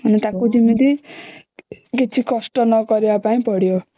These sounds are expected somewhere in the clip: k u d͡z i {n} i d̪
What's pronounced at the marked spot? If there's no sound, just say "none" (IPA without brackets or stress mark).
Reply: m